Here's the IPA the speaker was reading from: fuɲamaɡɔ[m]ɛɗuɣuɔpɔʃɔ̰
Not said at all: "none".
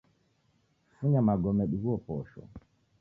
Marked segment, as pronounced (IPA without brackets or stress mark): m